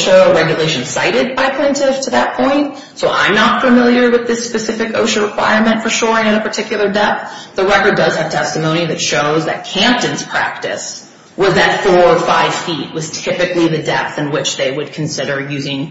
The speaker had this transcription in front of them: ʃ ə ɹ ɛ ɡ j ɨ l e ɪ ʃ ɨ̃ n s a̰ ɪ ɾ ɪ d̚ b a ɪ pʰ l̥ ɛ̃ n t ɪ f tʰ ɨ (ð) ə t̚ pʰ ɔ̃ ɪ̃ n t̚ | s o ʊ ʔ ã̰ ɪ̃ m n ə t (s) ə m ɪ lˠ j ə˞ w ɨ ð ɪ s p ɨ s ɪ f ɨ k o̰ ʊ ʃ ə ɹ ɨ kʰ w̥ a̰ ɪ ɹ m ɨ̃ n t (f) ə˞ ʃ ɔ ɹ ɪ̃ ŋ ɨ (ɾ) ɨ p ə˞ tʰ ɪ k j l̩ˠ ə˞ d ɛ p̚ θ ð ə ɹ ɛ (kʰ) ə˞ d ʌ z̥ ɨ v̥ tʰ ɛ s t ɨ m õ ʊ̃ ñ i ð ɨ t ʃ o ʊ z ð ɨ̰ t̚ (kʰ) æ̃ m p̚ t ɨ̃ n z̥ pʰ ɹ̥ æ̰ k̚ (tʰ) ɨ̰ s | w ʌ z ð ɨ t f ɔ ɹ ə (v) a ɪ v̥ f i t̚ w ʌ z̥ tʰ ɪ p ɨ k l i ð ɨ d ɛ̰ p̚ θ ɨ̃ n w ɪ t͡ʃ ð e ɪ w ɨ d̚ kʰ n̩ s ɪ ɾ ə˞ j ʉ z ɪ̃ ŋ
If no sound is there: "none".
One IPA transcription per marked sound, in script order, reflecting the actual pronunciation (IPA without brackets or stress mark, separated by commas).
ð, f, f, ɾ, k, kʰ, t, f